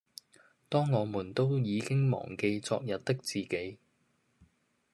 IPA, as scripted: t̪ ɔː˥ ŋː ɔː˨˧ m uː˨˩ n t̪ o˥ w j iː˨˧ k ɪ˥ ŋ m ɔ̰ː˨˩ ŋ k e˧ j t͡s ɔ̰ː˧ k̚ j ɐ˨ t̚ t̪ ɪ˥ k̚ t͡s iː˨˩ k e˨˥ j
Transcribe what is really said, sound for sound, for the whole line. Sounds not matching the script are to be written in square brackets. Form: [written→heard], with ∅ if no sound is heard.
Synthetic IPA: t̪ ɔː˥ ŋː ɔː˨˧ m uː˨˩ n t̪ o˥ w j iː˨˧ k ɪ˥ ŋ m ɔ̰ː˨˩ ŋ k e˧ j t͡s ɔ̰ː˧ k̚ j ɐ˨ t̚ t̪ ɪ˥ k̚ t͡s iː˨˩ k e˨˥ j